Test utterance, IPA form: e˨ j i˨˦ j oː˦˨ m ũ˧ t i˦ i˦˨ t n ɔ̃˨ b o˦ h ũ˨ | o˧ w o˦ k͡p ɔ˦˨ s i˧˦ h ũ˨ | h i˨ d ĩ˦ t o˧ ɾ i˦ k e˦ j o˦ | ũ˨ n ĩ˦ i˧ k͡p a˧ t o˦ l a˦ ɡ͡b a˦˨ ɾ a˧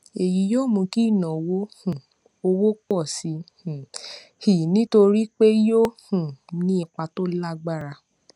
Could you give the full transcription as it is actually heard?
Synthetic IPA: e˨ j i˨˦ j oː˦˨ m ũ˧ k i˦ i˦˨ n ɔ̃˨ w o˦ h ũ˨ | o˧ w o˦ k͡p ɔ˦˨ s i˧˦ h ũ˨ | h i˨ n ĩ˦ t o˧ ɾ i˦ k͡p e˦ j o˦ | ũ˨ n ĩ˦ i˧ k͡p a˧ t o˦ l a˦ ɡ͡b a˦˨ ɾ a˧